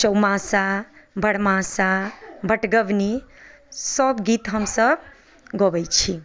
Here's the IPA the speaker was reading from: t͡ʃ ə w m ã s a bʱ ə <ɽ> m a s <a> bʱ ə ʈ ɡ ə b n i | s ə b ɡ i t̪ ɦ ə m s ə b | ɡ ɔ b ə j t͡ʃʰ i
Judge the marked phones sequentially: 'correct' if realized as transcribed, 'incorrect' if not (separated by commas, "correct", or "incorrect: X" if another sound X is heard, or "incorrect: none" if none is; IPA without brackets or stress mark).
correct, correct